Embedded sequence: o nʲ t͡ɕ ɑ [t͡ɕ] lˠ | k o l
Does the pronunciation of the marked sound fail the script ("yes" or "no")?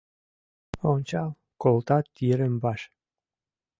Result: yes